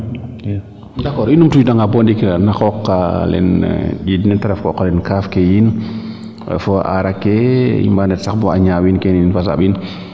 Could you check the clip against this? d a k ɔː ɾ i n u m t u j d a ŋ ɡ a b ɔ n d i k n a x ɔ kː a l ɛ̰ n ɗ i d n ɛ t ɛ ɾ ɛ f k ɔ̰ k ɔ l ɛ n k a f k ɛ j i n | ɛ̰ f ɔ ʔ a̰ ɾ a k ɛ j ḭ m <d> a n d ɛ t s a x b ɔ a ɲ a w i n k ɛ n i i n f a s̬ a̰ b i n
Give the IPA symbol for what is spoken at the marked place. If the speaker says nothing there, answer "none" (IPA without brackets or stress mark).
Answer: b